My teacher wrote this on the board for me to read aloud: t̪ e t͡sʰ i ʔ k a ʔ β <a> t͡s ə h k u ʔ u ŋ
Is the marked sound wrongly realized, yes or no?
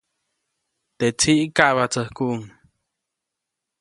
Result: no